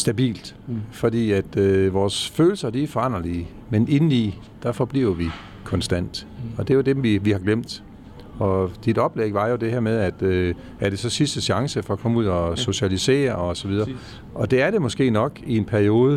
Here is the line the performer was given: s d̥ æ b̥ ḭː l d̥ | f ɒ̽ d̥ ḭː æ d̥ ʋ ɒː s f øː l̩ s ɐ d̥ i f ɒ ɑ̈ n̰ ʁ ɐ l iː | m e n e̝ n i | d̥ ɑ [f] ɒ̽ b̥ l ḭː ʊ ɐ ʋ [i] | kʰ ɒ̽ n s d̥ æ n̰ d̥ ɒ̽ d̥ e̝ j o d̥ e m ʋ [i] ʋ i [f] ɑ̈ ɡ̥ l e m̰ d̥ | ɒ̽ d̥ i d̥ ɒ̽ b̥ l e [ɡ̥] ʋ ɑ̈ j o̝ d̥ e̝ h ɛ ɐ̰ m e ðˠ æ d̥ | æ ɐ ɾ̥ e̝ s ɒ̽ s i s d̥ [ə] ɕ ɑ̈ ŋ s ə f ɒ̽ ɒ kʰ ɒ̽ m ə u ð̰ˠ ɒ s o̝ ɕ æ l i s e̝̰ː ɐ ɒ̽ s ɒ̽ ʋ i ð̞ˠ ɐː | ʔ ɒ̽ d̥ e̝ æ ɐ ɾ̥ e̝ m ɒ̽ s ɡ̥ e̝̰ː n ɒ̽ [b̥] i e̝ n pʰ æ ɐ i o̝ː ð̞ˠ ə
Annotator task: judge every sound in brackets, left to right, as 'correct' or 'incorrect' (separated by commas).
correct, correct, correct, incorrect, correct, correct, incorrect